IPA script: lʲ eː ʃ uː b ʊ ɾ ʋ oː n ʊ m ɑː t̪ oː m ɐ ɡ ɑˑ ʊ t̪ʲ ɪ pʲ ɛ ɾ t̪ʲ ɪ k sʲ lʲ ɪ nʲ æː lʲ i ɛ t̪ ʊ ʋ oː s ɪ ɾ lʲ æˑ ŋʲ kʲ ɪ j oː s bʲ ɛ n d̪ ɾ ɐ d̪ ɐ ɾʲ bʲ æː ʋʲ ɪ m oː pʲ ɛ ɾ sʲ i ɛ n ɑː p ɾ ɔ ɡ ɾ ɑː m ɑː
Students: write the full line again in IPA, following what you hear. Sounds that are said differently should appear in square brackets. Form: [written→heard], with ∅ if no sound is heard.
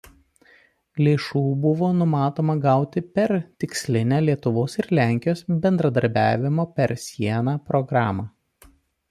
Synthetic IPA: lʲ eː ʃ uː b ʊ [ɾ→∅] ʋ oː n ʊ m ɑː t̪ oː m ɐ ɡ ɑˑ ʊ t̪ʲ ɪ pʲ ɛ ɾ t̪ʲ ɪ k sʲ lʲ ɪ nʲ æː lʲ i ɛ t̪ ʊ ʋ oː s ɪ ɾ lʲ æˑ ŋʲ kʲ ɪ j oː s bʲ ɛ n d̪ ɾ ɐ d̪ ɐ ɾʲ bʲ æː ʋʲ ɪ m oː pʲ ɛ ɾ sʲ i ɛ n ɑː p ɾ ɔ ɡ ɾ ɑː m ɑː